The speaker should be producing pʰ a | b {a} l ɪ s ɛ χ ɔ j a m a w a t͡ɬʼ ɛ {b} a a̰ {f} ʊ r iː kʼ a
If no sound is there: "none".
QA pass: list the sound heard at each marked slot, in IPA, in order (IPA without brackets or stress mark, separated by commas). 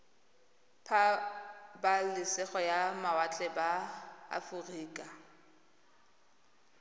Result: a, b, f